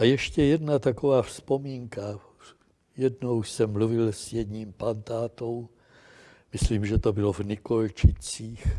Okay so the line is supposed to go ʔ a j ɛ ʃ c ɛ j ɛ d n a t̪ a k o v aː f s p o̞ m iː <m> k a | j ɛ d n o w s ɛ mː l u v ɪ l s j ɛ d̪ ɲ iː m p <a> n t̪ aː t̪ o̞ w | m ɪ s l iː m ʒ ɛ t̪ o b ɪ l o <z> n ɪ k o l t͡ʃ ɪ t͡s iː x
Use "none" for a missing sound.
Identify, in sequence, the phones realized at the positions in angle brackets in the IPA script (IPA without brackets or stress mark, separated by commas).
ŋ, a, v